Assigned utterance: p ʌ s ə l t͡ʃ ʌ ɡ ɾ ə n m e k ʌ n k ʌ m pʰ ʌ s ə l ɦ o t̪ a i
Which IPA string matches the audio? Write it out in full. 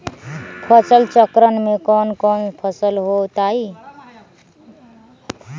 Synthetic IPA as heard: pʰ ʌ s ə l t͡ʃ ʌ k ɾ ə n m e k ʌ n k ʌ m pʰ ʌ s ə l ɦ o t̪ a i